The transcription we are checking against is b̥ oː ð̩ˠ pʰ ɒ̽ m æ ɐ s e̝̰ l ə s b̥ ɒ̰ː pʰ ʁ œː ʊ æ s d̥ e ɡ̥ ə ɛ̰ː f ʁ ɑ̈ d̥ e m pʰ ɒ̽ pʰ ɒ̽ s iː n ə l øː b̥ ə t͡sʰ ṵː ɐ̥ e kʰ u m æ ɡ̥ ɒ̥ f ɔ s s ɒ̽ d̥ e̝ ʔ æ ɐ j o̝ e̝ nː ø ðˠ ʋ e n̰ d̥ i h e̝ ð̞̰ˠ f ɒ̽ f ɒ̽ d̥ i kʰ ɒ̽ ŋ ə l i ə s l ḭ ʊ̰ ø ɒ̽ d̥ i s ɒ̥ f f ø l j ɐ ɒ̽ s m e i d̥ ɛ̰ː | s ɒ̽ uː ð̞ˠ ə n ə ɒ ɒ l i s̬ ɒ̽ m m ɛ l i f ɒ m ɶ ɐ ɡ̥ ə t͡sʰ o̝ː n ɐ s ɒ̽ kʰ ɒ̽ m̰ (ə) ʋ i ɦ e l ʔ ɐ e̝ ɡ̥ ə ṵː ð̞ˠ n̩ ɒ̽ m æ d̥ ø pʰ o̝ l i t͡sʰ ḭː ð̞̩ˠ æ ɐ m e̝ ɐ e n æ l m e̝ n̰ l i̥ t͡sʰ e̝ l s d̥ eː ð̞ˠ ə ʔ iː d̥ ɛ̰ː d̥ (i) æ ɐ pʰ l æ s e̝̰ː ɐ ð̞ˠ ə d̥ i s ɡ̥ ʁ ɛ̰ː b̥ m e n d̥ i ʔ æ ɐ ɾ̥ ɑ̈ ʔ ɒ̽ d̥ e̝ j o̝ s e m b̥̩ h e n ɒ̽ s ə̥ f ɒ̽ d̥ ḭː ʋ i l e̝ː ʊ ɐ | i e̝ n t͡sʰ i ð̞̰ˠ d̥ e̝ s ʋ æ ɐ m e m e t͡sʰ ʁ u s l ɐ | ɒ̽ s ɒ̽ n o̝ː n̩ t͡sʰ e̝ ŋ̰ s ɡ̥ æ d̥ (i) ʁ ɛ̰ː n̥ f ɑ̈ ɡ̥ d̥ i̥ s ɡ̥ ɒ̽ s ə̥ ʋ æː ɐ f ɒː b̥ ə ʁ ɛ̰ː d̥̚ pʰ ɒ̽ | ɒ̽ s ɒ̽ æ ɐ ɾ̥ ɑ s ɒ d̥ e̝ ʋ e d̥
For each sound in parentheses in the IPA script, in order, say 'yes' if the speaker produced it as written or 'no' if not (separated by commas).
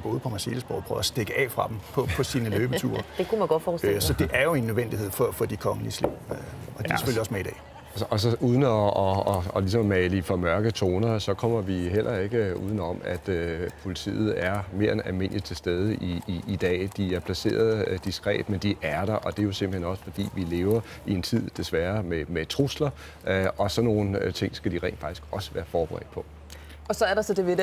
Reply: no, yes, yes